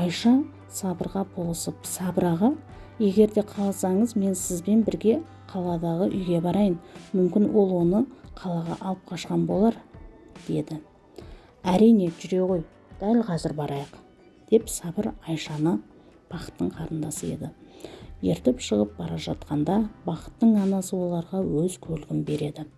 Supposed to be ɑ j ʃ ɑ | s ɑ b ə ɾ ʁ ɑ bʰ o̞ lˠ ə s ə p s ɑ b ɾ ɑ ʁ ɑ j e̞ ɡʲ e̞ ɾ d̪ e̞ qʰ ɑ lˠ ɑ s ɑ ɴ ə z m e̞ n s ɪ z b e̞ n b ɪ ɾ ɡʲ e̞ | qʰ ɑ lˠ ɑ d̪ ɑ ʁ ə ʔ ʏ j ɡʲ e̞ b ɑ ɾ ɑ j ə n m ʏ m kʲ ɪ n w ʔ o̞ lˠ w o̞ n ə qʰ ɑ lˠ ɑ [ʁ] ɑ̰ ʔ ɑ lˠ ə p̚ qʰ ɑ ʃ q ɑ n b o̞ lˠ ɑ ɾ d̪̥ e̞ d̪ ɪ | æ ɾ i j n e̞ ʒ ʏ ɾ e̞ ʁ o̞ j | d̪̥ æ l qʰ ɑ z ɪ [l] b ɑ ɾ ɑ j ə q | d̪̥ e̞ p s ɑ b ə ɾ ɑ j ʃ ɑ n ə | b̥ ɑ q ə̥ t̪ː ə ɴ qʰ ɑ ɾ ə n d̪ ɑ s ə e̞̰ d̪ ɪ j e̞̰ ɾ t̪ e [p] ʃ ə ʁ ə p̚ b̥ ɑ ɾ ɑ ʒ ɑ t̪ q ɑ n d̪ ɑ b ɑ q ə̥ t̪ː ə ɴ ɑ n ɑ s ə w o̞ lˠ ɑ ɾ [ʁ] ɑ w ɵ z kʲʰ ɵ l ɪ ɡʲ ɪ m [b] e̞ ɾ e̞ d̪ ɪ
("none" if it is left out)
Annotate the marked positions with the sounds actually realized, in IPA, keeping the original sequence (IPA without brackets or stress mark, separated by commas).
ʁ, ɾ, p, ʁ, b